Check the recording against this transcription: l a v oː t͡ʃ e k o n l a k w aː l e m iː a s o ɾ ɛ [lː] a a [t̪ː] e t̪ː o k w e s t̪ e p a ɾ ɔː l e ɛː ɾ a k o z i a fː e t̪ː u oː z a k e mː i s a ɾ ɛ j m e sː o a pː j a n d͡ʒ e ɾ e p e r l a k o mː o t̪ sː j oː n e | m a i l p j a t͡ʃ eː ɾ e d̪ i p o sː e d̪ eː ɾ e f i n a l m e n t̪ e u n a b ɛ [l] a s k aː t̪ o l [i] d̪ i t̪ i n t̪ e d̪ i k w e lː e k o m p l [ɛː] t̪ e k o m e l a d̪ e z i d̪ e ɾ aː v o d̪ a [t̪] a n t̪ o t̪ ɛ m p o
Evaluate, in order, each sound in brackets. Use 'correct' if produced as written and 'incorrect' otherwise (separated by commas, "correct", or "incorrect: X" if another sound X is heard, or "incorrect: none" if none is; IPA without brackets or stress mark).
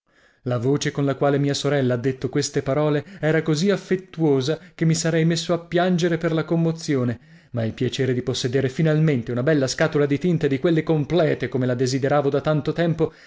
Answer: correct, incorrect: d̪ː, incorrect: lː, incorrect: a, correct, correct